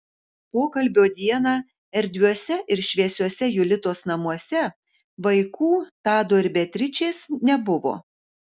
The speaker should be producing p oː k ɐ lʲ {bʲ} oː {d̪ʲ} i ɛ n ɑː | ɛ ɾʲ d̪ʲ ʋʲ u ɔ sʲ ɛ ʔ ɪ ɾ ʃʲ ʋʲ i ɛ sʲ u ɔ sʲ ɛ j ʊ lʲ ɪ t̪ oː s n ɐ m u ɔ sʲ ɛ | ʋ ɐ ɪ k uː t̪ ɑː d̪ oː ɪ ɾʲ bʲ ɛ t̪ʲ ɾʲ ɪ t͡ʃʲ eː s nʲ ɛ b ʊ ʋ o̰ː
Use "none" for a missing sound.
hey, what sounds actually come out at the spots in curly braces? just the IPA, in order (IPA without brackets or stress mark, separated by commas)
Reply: bʲ, d̪ʲ